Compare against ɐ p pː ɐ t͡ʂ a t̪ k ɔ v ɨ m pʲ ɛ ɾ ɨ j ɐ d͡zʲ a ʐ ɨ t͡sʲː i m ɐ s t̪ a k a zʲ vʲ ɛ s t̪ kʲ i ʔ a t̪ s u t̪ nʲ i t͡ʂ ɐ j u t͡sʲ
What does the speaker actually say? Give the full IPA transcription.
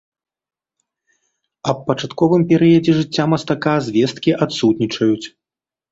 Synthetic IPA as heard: ɐ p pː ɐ t͡ʂ a t̪ k ɔ v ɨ m pʲ ɛ ɾ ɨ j ɐ d͡zʲ ɛ ʐ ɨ t͡sʲː a m ɐ s t̪ a k a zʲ vʲ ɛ s t̪ kʲ i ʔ a t̪ s u t̪ nʲ i t͡ʂ ɐ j u t͡sʲ